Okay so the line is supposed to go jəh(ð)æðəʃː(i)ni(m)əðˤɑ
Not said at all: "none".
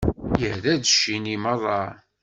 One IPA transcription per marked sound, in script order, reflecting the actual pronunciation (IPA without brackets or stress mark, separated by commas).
ð, i, m